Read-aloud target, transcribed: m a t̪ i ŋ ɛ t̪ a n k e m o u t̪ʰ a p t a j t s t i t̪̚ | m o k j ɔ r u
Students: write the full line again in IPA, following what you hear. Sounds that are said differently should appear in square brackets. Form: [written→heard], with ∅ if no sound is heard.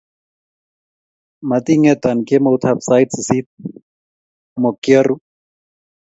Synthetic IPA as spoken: m a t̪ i ŋ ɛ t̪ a n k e m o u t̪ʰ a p [t→s] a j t s [t→s] i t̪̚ | m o k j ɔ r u